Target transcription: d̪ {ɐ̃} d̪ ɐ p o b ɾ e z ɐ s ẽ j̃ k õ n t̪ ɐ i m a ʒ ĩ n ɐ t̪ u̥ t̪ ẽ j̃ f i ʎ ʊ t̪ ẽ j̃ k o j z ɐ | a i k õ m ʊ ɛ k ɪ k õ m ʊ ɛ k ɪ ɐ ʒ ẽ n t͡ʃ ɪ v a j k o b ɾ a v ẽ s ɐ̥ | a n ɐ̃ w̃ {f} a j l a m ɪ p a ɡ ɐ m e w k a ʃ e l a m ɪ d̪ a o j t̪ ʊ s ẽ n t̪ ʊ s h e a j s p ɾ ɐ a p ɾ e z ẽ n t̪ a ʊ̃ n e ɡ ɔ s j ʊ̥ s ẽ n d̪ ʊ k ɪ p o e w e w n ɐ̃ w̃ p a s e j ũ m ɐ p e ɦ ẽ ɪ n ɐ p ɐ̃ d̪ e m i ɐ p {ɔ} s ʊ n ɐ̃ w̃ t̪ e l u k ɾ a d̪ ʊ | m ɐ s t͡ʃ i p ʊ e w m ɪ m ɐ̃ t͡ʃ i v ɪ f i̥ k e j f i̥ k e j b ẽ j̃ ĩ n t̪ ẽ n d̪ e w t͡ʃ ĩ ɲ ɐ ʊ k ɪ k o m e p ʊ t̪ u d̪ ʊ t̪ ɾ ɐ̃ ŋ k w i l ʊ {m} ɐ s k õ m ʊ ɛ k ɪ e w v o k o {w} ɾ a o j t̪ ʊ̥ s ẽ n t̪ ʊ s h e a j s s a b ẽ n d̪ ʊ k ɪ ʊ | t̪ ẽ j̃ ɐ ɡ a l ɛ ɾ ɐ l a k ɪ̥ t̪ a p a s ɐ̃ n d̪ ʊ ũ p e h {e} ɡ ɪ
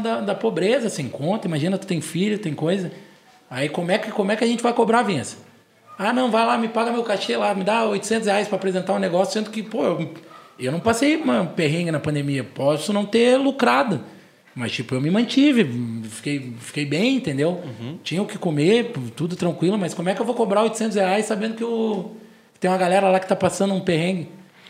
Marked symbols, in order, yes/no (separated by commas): no, no, yes, yes, no, no